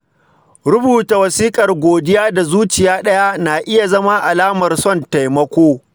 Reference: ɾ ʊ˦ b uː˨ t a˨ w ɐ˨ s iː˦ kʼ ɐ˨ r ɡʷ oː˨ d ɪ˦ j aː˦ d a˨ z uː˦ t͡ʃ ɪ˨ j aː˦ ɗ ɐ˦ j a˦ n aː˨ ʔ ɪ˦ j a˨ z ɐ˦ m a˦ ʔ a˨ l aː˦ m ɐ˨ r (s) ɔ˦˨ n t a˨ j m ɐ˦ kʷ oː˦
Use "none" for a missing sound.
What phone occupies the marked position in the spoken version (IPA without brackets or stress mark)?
s